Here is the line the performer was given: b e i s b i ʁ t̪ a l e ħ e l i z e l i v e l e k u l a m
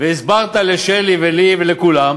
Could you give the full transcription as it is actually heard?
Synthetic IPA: v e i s b a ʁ t̪ a l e ʃ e l i v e l i v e l e k u l a m